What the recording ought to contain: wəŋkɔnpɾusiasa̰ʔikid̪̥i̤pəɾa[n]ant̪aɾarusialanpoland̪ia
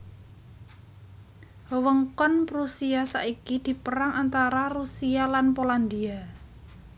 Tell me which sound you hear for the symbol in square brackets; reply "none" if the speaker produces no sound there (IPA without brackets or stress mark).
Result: ŋ